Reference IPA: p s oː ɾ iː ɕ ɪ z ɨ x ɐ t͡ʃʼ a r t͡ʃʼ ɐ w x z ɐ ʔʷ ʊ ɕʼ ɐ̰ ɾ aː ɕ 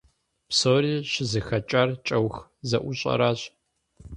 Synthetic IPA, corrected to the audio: p s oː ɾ iː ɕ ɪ z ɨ x ɐ t͡ʃʼ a r t͡ʃʼ ɐ w x z ɐ ʔʷ ʊ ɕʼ ɐ̰ ɾ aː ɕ